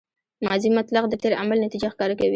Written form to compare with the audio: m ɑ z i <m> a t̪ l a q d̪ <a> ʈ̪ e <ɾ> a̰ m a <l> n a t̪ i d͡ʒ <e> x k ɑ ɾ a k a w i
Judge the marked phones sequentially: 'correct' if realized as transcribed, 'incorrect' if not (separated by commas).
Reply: correct, incorrect, correct, correct, incorrect